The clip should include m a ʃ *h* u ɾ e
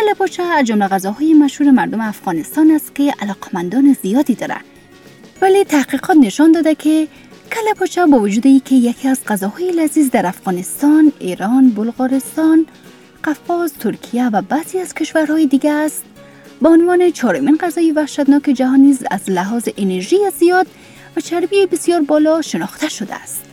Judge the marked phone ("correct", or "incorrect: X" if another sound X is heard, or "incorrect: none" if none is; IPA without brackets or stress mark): correct